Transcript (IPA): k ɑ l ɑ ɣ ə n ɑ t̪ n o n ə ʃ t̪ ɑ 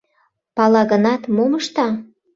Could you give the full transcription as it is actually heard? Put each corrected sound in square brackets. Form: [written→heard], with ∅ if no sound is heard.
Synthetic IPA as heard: [k→p] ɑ l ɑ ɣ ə n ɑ t̪ [n→m] o [n→m] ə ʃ t̪ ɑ